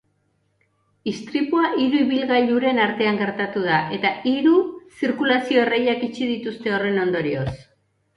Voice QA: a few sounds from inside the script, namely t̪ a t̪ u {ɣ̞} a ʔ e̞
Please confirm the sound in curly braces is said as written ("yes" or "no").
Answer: no